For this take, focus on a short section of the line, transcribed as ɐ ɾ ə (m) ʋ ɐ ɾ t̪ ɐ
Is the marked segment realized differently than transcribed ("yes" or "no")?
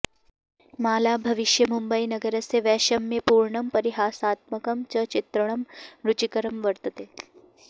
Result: no